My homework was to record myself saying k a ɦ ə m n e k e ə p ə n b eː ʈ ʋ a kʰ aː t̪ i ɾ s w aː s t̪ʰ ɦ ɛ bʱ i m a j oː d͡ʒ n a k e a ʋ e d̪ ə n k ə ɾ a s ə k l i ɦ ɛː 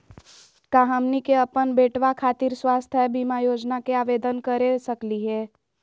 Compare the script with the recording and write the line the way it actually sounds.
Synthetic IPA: k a ɦ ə m n i k e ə p ə n b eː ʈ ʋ a kʰ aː t̪ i ɾ s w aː s t̪ʰ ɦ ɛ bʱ i m a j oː d͡ʒ n a k e a ʋ e d̪ ə n k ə ɾ e s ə k l i ɦ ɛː